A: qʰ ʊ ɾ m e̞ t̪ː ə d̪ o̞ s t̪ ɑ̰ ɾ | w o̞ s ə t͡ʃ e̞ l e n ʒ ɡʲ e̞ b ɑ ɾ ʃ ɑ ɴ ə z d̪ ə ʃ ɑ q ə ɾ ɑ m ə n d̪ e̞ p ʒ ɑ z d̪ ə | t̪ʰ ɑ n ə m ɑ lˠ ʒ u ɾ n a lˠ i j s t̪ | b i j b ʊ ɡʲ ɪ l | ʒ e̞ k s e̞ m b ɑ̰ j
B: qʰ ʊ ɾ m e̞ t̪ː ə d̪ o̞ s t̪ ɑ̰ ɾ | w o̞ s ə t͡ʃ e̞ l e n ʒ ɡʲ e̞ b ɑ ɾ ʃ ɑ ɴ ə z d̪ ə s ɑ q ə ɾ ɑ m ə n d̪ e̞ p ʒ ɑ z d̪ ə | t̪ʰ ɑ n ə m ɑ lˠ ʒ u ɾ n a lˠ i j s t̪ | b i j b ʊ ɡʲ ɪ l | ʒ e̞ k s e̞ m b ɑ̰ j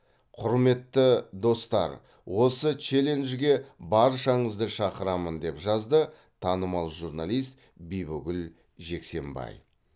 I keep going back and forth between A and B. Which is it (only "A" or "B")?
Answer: A